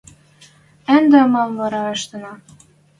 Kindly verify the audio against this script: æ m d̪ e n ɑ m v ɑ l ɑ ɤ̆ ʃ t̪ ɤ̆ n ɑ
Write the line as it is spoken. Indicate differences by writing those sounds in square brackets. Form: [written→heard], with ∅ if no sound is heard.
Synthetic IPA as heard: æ [m→n] d̪ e [n→m] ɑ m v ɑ [l→ɾ] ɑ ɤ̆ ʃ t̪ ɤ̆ n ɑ